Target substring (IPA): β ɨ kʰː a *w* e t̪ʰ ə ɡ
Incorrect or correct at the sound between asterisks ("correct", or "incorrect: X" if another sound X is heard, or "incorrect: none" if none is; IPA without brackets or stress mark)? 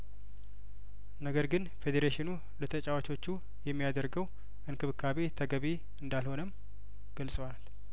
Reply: incorrect: β